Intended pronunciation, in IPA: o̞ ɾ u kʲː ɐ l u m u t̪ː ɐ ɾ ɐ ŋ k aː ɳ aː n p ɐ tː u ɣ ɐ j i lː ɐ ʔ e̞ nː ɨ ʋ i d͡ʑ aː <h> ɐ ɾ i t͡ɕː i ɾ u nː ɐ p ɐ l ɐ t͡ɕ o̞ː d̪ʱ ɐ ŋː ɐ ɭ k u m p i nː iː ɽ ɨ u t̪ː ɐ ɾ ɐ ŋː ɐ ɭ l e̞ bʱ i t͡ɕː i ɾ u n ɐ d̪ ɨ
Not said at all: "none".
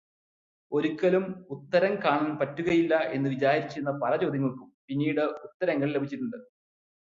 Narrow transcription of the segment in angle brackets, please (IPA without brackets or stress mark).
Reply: h